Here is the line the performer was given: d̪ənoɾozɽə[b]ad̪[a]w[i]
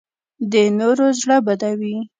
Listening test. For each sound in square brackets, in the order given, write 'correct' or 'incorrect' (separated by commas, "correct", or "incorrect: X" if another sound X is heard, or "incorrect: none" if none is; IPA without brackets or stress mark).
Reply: correct, correct, correct